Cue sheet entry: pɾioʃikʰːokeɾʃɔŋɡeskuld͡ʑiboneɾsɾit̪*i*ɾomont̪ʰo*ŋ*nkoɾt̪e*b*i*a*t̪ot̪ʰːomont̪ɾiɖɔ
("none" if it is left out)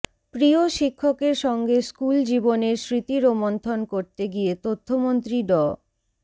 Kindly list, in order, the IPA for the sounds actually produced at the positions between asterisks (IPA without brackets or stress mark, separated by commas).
i, none, ɡ, e